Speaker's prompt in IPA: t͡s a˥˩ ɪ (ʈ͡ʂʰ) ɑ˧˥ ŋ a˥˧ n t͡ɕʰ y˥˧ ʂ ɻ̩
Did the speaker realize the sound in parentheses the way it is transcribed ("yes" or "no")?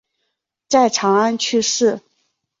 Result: yes